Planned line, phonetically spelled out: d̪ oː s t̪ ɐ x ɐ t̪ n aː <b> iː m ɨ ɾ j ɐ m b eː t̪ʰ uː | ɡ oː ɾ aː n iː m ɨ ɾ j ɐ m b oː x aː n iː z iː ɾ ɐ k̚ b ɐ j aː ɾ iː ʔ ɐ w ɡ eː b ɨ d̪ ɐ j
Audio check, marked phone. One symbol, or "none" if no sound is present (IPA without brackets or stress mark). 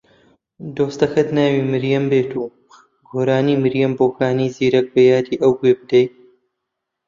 w